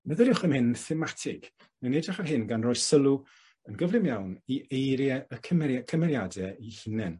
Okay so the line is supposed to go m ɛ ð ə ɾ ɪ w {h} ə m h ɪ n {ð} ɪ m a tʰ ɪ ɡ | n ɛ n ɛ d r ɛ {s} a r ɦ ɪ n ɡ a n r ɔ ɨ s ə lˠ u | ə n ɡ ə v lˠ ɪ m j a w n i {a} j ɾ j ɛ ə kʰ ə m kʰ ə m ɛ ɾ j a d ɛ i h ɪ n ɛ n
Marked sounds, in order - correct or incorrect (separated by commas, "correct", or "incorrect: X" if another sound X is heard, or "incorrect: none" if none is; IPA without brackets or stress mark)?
incorrect: χ, incorrect: θ, incorrect: χ, incorrect: e